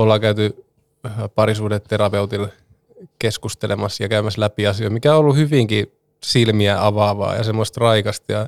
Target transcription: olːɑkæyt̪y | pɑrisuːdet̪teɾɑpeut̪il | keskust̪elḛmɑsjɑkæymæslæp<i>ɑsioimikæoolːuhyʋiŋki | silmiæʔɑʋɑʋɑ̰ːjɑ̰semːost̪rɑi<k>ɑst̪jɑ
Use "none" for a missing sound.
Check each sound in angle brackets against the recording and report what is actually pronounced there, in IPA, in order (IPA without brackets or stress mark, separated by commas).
i, k